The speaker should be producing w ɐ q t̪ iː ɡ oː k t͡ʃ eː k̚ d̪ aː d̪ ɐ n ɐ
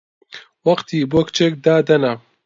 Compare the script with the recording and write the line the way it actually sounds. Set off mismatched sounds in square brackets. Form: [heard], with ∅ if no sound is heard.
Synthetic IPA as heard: w ɐ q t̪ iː [b] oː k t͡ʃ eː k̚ d̪ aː d̪ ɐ n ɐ